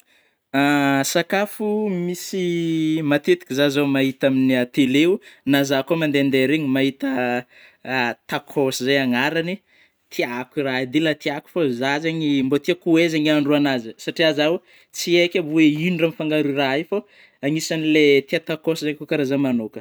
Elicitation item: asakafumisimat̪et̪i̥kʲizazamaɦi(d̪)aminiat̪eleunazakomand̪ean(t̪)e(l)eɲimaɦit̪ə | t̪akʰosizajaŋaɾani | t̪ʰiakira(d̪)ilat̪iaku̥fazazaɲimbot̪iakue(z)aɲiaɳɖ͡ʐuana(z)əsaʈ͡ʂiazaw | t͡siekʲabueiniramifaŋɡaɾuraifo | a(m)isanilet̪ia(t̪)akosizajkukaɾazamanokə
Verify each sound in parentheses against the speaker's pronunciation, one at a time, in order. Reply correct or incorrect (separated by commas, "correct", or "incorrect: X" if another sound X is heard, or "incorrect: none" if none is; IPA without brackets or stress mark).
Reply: incorrect: t̪, incorrect: d̪, incorrect: ɾ, correct, correct, correct, incorrect: ŋ, correct